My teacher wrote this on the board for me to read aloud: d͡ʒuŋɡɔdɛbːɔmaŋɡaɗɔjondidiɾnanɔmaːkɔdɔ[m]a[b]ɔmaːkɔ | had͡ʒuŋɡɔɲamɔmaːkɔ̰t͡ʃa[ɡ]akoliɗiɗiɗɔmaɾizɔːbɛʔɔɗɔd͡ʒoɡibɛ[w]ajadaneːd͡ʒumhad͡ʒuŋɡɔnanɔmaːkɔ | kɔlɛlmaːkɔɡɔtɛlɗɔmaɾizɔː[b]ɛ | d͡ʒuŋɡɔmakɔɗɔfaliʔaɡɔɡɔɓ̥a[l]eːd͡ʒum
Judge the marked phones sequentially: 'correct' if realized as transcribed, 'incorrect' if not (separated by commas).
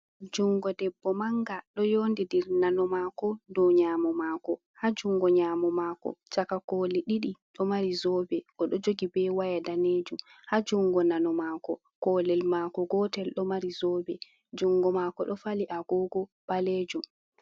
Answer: incorrect, incorrect, incorrect, correct, correct, correct